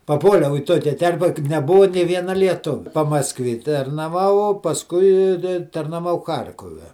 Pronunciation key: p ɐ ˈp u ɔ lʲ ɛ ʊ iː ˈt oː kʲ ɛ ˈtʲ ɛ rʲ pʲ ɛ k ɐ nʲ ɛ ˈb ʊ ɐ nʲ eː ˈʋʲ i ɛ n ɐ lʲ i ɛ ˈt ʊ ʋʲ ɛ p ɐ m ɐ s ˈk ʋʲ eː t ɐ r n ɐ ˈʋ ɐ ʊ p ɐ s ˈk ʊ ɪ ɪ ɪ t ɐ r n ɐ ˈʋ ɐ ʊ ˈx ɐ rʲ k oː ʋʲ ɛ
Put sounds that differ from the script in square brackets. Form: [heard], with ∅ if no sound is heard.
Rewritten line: p ɐ ˈp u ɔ lʲ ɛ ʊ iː ˈt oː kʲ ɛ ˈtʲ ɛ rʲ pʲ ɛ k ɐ nʲ ɛ ˈb ʊ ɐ nʲ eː ˈʋʲ i ɛ n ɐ lʲ i ɛ ˈt ʊ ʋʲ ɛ p ɐ m ɐ s ˈk ʋʲ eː t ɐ r n ɐ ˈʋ ɐ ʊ p ɐ s ˈk ʊ ɪ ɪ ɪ t ɐ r n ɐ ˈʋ ɐ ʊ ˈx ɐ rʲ k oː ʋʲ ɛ